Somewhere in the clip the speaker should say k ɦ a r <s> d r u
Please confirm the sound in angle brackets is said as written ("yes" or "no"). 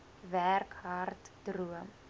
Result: no